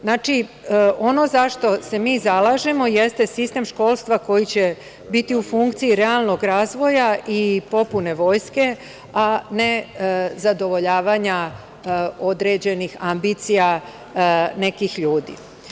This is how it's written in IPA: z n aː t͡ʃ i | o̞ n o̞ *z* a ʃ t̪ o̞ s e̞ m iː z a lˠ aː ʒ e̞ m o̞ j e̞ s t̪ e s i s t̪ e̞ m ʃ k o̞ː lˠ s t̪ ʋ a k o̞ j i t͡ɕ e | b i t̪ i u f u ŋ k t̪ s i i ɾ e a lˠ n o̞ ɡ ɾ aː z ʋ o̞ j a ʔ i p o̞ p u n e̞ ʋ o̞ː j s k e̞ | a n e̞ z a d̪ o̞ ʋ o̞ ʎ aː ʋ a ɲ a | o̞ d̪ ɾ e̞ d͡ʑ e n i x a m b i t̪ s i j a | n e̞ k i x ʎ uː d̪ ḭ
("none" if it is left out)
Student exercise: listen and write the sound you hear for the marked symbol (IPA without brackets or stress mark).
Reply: z